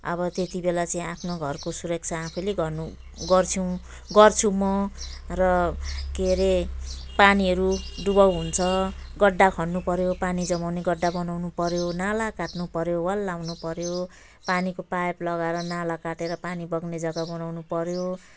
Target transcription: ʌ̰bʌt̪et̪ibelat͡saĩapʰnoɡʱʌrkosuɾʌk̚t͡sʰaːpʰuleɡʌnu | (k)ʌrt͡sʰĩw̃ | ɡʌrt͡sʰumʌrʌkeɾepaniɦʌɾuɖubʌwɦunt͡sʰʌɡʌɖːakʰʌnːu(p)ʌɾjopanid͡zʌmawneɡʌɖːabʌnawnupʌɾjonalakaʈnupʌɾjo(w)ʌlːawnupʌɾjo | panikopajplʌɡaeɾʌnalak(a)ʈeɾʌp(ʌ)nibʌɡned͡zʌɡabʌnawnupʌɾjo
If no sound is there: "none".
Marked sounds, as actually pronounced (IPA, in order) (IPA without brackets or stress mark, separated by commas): ɡ, p, w, a, a